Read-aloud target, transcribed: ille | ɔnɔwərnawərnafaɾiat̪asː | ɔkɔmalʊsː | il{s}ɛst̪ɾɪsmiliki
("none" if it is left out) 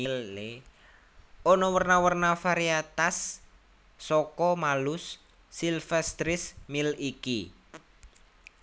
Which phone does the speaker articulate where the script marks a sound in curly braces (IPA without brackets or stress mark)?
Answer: f